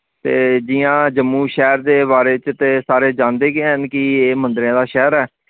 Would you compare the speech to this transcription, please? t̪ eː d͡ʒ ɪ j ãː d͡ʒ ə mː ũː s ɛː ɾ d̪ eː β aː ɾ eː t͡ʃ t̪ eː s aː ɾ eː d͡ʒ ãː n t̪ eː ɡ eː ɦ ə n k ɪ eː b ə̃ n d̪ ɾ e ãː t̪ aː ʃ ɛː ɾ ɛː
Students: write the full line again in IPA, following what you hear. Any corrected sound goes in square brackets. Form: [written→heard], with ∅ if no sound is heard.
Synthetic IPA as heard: t̪ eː d͡ʒ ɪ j ãː d͡ʒ ə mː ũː [s→ʃ] ɛː ɾ d̪ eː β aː ɾ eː t͡ʃ t̪ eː s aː ɾ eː d͡ʒ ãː n [t̪→d̪] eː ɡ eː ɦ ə n k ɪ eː [b→m] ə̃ n d̪ ɾ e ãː [t̪→d̪] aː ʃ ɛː ɾ ɛː

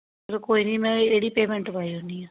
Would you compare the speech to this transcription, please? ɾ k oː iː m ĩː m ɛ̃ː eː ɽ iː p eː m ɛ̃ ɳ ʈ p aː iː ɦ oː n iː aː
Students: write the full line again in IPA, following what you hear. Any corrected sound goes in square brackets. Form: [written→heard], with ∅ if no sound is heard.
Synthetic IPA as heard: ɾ k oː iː [m→n] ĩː m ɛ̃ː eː ɽ iː p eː m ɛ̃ ɳ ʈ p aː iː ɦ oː n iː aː

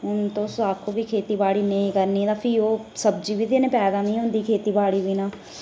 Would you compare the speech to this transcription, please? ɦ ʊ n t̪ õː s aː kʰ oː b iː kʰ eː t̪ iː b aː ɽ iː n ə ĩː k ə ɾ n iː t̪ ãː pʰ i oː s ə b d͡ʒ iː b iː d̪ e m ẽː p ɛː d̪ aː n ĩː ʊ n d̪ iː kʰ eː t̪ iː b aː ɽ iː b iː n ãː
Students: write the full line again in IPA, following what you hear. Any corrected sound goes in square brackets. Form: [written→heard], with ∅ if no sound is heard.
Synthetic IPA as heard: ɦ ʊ n t̪ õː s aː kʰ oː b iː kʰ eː t̪ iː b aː ɽ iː n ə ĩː k ə ɾ n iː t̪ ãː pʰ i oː s ə b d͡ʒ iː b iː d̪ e [m→n] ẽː p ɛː d̪ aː n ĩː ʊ n d̪ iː kʰ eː t̪ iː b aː ɽ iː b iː n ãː

